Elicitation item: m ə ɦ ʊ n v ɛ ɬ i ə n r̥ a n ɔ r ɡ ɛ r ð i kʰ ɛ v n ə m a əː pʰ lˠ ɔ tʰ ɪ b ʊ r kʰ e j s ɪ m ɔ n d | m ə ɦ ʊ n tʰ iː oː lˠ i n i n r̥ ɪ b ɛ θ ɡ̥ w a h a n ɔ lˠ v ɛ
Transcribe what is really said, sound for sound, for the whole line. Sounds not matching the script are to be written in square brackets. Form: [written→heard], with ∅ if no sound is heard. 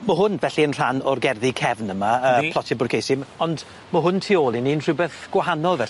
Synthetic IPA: m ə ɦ ʊ n v ɛ ɬ i ə n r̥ a n ɔ r ɡ ɛ r ð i kʰ ɛ v n ə m a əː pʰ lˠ ɔ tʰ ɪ b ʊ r kʰ e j s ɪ m ɔ n d | m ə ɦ ʊ n tʰ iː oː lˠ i n i n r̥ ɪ b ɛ θ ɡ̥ w a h a n ɔ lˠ v ɛ